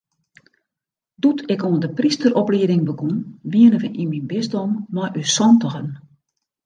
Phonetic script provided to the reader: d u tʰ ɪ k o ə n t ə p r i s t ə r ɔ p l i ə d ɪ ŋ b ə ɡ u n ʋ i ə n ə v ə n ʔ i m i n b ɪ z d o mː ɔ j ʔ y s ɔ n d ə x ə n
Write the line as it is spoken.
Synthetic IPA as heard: d u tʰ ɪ k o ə n d ə p r i s t ə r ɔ p l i ə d ɪ ŋ b ə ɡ u n ʋ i ə n ə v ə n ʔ i m i n b ɪ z d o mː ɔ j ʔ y s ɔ n t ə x ə n